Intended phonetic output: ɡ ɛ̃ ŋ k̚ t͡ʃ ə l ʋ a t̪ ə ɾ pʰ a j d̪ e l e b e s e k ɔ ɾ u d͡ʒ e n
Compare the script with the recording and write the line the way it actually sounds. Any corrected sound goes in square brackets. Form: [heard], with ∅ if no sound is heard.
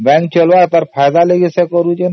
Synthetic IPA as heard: [b] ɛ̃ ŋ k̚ t͡ʃ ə l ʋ a t̪ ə ɾ pʰ a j d̪ [a] l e [ɡ] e s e k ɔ ɾ u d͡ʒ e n